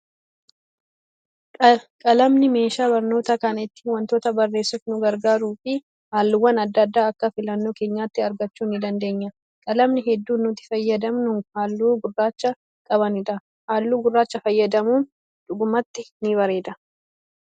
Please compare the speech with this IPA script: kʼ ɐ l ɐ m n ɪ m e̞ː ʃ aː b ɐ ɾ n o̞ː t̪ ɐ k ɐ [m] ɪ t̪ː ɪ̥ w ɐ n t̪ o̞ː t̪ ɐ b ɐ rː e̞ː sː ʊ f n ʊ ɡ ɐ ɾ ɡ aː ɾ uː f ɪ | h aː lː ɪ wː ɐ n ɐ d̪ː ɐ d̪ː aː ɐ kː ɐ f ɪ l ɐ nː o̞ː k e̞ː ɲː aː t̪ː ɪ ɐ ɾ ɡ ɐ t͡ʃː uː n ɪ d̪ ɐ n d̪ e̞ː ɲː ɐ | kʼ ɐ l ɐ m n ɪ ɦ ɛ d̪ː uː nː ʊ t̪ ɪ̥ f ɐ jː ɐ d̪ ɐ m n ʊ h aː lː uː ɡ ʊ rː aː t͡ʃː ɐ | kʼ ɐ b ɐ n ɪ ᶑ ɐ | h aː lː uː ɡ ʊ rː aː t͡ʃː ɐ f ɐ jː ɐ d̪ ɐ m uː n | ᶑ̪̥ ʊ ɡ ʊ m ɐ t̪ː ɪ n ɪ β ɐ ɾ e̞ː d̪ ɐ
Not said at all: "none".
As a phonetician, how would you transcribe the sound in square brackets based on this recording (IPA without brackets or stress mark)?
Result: n